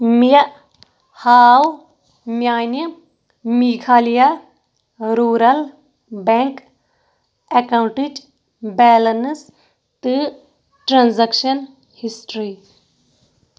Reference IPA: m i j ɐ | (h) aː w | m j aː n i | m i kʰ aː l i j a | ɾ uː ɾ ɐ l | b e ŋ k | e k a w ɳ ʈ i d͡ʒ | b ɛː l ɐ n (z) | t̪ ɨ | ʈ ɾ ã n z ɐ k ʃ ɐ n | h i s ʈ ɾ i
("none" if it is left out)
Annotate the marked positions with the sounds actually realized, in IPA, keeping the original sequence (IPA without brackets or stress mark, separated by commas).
h, s